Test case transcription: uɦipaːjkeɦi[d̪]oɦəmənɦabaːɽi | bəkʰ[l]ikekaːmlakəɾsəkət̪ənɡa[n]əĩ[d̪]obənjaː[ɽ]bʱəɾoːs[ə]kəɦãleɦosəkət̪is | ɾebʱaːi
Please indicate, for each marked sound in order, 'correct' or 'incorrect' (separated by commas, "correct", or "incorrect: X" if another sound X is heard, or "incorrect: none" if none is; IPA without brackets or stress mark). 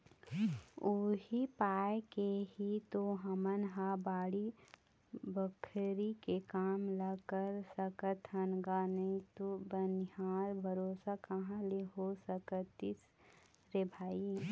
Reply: incorrect: t̪, incorrect: ɾ, correct, incorrect: t̪, incorrect: ɾ, incorrect: a